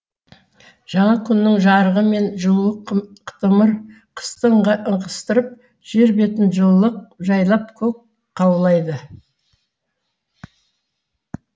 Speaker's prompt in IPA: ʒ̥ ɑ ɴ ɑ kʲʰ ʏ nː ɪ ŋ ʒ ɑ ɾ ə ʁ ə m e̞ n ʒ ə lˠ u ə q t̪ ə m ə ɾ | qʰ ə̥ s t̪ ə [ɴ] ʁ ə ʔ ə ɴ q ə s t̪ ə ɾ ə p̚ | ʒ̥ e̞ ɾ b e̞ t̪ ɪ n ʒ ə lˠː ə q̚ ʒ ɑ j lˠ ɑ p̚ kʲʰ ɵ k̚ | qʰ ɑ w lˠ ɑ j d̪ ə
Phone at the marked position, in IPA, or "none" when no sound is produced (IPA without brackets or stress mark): ɴ